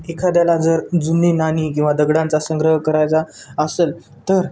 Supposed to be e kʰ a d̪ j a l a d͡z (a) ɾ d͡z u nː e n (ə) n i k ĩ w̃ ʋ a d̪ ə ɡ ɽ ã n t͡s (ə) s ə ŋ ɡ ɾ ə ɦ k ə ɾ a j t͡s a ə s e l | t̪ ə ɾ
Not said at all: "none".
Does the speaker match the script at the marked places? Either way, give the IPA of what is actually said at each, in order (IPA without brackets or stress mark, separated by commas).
ə, a, a